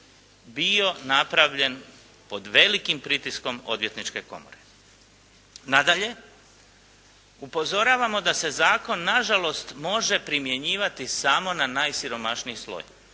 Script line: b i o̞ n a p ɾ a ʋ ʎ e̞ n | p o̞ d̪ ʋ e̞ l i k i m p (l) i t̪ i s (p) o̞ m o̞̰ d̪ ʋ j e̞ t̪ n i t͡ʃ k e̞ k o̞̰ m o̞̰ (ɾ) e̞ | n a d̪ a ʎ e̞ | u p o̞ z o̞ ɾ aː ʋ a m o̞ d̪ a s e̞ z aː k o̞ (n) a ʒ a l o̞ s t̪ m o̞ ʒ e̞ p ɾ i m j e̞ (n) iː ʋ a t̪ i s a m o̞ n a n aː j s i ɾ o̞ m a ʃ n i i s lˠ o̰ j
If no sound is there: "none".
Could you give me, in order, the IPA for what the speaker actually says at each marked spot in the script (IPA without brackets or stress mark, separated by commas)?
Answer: ɾ, k, ɾ, nː, ɲ